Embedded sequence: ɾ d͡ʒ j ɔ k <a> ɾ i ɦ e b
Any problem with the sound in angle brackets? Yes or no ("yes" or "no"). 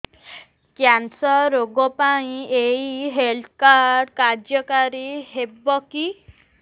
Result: no